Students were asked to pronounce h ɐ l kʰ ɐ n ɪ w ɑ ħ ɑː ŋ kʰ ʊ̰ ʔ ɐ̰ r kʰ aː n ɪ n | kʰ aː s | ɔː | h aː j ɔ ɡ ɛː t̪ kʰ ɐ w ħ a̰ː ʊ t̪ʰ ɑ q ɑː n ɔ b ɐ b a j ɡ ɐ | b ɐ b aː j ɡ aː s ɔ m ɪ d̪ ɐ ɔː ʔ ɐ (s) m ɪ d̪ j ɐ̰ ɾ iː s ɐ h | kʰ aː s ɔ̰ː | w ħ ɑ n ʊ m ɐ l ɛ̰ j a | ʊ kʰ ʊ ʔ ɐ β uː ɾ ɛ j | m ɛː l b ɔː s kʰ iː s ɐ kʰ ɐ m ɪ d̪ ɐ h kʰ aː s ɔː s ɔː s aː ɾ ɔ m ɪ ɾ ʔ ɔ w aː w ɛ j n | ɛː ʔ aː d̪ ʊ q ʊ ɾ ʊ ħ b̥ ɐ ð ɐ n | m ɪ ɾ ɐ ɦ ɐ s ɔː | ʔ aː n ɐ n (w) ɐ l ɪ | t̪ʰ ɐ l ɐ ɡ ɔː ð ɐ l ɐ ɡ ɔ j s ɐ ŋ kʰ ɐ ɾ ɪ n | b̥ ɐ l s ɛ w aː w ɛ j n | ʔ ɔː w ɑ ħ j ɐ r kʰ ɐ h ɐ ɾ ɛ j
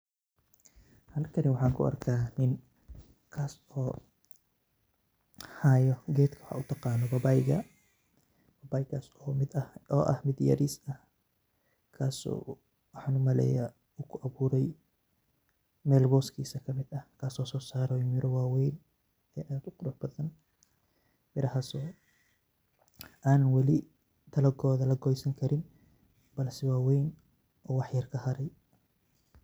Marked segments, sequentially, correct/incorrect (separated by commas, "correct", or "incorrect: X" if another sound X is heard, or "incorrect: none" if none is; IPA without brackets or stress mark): incorrect: h, correct